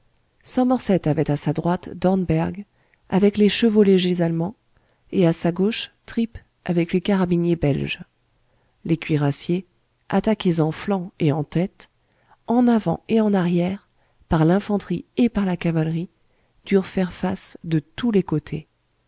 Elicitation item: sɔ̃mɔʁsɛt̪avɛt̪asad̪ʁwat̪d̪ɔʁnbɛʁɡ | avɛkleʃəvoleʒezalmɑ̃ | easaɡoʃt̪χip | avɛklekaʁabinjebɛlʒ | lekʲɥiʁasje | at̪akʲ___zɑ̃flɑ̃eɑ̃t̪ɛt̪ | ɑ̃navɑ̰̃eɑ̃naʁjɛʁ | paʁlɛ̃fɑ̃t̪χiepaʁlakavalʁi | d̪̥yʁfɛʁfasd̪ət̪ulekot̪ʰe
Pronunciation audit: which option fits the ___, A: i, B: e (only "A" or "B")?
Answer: B